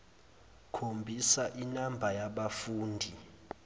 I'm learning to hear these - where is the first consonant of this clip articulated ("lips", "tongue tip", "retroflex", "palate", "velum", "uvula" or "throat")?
velum